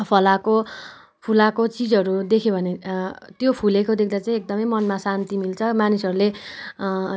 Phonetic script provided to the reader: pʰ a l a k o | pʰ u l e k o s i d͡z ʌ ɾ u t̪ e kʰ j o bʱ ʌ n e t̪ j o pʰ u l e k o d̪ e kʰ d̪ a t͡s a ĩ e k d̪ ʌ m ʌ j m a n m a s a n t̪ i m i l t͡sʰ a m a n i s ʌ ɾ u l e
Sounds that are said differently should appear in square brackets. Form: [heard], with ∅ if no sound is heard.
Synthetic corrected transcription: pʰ [ʌ] l a k o | pʰ u l [a] k o [t͡s] i d͡z ʌ ɾ u [d̪] e kʰ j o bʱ ʌ n e t̪ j o pʰ u l e k o d̪ e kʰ d̪ a t͡s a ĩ e k d̪ ʌ m ʌ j m [ʌ] n m a s a n t̪ i m i l t͡sʰ [ʌ] m a n i s ʌ ɾ u l e